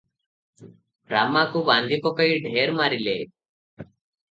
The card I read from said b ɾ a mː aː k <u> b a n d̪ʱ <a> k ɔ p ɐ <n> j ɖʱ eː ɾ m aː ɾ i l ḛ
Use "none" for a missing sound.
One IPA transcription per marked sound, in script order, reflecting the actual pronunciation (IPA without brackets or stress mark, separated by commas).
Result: u, i, none